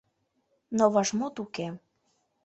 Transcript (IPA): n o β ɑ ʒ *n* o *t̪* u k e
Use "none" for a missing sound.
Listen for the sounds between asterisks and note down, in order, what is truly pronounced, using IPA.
m, t̪

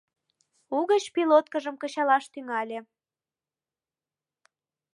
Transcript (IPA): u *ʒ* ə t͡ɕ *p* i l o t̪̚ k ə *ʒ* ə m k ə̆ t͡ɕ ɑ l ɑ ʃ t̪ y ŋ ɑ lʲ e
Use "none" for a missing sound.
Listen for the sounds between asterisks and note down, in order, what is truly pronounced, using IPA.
ɣ, p, ʒ

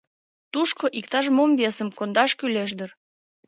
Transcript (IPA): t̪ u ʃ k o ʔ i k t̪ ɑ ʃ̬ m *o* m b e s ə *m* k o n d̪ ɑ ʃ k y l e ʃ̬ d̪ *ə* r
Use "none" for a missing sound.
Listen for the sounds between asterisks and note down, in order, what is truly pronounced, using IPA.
o, m, ə

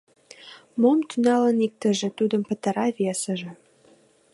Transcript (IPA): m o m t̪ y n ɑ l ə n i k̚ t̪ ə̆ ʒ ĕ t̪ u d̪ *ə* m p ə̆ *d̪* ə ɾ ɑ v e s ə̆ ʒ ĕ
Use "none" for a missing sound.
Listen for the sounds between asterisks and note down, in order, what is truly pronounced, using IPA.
ə, t̪

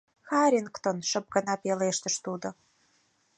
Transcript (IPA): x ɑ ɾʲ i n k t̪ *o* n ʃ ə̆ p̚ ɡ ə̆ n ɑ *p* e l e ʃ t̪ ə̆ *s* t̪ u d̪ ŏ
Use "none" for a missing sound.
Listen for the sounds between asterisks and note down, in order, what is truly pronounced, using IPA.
o, p, ʃ

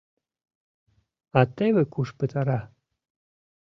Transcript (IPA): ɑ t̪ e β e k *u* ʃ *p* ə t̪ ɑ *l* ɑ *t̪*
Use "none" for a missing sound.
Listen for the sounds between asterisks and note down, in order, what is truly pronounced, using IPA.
u, p, ɾ, none

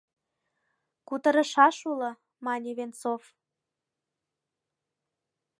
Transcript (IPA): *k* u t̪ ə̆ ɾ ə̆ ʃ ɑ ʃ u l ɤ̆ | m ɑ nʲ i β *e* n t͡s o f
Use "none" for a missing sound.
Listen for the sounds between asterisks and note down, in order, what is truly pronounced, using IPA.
k, e

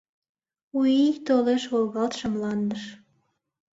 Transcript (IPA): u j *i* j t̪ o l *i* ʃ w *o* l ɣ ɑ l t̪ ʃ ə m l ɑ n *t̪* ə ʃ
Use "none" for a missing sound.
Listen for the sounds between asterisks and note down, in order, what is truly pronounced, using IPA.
i, e, o, d̪

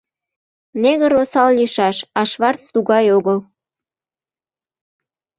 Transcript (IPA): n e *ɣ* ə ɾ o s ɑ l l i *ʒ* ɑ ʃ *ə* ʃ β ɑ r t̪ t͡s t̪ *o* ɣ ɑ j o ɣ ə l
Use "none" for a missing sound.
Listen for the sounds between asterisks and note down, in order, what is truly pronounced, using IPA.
ɣ, ʃ, ɑ, u

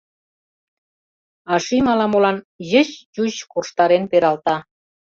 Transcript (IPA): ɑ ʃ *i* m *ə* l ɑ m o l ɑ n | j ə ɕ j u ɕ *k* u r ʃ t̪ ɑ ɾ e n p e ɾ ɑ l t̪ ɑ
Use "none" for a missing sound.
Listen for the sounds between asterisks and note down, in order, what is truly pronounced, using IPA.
i, ɑ, k

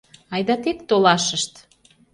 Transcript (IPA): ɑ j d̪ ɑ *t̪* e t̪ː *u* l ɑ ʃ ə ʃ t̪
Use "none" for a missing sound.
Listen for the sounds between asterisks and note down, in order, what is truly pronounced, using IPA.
t̪, o

